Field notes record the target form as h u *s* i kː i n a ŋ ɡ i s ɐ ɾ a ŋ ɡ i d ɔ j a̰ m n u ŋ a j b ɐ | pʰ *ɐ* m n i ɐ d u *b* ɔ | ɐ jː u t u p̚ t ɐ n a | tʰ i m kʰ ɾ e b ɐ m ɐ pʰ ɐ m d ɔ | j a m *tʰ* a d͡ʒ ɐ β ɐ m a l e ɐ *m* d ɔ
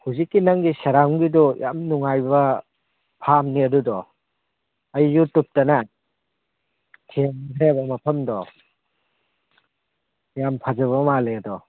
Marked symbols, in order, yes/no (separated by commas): no, no, no, no, no